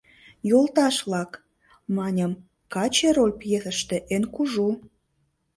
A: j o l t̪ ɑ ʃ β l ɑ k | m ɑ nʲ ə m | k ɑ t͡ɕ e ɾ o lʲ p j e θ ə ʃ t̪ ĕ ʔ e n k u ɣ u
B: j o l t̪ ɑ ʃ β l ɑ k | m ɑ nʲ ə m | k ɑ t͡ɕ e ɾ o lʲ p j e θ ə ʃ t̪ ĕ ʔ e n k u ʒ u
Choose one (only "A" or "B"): B